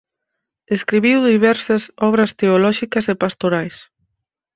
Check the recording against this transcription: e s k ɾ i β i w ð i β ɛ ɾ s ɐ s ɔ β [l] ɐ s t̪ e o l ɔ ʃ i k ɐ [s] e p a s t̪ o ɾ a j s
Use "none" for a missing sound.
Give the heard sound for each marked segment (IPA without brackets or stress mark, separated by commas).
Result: ɾ, s